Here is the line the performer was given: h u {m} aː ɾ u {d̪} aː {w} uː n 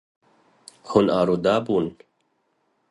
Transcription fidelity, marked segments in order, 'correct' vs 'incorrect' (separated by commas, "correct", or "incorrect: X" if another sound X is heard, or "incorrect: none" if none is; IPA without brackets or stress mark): incorrect: n, correct, incorrect: b